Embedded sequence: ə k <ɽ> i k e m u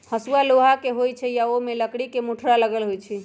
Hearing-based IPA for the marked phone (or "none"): ɽ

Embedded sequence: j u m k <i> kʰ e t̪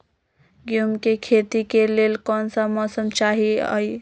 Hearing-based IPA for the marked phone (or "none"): e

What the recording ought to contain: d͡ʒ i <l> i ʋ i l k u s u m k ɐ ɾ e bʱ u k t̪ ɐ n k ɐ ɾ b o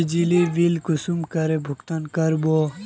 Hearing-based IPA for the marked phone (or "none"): l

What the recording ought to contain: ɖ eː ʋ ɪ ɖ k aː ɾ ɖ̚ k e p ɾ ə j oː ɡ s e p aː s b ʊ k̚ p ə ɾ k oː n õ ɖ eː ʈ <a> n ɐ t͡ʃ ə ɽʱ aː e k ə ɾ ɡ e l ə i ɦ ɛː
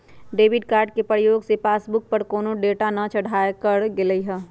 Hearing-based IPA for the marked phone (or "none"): a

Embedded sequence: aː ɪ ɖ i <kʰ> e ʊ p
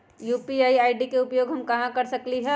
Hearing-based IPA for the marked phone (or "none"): k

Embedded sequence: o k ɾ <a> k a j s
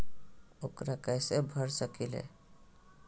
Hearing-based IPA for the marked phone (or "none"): a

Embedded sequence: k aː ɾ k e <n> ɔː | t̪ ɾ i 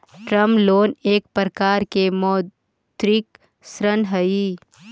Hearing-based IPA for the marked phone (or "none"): m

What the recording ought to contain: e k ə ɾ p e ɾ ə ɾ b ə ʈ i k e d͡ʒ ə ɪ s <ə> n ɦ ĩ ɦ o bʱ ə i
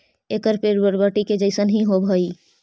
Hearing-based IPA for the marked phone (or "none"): ə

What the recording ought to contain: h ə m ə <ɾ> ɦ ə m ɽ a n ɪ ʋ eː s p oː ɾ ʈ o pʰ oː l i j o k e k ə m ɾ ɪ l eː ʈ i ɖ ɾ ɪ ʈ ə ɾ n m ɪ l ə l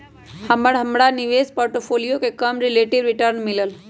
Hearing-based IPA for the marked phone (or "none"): ɽ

